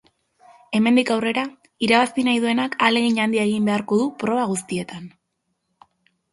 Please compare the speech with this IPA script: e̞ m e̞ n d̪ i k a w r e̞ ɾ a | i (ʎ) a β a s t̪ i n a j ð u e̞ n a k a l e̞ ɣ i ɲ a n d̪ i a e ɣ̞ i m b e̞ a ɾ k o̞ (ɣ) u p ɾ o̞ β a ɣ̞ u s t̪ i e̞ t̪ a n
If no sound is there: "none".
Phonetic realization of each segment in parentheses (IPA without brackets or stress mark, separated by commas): ɾ, ð